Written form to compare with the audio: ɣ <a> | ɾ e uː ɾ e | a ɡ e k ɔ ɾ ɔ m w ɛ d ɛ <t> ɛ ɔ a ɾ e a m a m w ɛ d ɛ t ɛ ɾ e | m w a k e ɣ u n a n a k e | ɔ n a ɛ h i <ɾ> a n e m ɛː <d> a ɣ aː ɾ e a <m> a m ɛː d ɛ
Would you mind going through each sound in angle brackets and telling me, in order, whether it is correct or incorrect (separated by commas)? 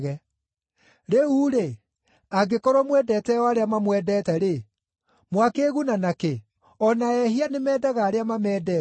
incorrect, correct, incorrect, correct, correct